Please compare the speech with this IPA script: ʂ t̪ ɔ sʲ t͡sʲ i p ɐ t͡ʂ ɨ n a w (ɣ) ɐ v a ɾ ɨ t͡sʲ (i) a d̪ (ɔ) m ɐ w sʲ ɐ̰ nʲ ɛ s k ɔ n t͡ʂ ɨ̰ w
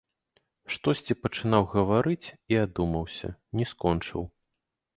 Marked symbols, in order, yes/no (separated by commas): yes, yes, no